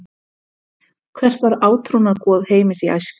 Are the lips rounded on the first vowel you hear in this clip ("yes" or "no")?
no